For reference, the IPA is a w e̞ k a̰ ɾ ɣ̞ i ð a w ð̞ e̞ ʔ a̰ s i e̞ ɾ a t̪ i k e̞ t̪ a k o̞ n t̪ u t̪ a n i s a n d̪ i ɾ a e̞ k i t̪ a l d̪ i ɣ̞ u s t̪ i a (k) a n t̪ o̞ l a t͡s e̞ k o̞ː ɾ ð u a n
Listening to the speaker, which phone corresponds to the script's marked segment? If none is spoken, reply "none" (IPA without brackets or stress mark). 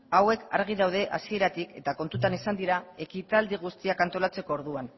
k